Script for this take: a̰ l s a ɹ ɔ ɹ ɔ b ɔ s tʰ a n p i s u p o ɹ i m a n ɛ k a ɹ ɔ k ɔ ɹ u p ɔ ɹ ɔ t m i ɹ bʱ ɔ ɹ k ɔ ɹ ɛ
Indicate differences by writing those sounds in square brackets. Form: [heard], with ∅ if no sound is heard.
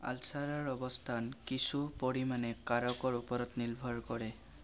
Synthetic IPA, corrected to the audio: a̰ l s a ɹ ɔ ɹ ɔ b ɔ s tʰ a n [k] i s u p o ɹ i m a n ɛ k a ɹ ɔ k ɔ ɹ u p ɔ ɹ ɔ t [n] i [l] bʱ ɔ ɹ k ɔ ɹ ɛ